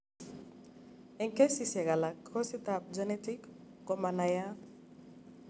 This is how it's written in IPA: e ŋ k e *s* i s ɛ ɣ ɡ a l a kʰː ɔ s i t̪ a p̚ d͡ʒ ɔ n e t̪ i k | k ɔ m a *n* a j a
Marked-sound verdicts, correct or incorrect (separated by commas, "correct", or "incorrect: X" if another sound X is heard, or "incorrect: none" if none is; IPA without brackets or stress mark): correct, correct